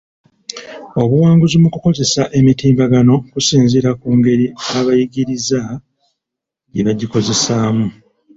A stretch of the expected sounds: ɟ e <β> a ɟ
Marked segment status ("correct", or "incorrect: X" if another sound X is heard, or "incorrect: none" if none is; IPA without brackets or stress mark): correct